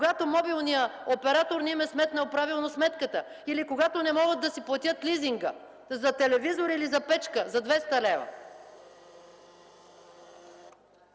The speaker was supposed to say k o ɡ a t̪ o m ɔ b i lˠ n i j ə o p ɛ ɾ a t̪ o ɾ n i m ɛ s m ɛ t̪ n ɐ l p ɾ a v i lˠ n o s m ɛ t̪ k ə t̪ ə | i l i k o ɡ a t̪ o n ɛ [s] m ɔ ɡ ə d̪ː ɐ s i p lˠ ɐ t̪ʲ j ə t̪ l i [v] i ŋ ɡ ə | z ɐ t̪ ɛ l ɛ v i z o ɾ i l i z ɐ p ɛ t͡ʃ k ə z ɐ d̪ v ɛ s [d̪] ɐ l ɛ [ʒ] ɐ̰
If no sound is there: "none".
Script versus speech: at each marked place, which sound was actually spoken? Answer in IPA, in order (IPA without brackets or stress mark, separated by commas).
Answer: none, z, t̪, v